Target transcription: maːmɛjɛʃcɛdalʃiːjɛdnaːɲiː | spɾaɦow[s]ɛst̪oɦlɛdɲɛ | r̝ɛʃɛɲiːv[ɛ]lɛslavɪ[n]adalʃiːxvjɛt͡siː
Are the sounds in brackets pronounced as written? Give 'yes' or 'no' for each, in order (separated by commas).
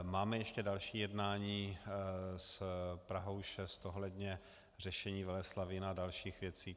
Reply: no, yes, yes